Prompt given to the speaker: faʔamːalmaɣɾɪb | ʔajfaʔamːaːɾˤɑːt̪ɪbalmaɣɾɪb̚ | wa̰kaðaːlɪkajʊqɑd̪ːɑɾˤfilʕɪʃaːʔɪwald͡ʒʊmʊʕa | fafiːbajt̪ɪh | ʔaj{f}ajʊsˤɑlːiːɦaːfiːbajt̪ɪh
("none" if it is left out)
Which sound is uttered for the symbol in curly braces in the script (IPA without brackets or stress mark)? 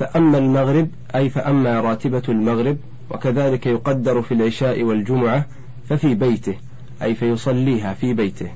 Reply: f